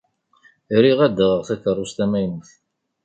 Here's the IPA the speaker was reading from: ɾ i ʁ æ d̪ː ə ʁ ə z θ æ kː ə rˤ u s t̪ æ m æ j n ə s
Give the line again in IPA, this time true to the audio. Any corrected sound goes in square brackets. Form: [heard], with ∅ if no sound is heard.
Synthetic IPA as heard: ɾ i ʁ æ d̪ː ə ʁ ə [ʁ] θ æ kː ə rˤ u s t̪ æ m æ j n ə [θ]